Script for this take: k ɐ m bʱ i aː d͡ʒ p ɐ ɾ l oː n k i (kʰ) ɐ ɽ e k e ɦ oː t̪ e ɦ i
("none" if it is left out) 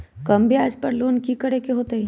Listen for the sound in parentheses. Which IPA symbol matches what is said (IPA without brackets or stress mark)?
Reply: k